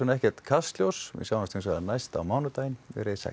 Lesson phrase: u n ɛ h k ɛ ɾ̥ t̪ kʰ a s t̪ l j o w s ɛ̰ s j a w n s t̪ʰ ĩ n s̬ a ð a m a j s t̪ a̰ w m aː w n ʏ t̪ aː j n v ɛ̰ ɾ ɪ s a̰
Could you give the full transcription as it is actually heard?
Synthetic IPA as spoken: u n ɛ h c ɛ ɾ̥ t̪ kʰ a s t̪ l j o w s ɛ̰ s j a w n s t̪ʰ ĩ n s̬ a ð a n a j s t̪ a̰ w m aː w n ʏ t̪ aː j n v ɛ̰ ɾ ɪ s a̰